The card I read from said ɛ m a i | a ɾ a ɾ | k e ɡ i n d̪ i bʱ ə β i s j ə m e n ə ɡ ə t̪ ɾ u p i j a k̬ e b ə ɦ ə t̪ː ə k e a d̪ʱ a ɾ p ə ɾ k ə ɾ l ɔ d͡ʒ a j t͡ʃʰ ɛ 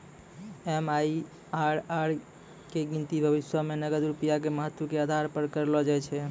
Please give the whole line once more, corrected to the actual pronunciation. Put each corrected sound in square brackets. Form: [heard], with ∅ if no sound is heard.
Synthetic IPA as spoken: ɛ m a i | a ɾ a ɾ | k e ɡ i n [t̪] i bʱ ə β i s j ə m e n ə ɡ ə [d̪] ɾ u p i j a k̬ e [m] ə ɦ ə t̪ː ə k e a d̪ʱ a ɾ p ə ɾ k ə ɾ l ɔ d͡ʒ a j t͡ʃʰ ɛ